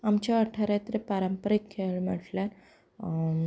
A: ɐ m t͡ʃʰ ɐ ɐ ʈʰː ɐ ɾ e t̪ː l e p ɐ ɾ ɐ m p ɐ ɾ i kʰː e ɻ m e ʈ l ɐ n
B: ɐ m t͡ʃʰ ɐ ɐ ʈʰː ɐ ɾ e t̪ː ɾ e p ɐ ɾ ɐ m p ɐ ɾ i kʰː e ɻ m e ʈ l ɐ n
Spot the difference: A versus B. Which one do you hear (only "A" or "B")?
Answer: B